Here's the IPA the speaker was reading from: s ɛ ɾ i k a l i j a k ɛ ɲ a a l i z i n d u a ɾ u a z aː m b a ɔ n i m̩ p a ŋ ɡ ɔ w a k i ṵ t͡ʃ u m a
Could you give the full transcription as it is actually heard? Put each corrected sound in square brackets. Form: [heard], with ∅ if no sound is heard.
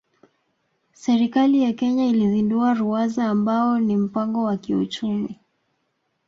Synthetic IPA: s ɛ ɾ i k a l i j a k ɛ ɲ a [i] l i z i n d u a ɾ u a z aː m b a ɔ n i m̩ p a ŋ ɡ ɔ w a k i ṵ t͡ʃ u m [i]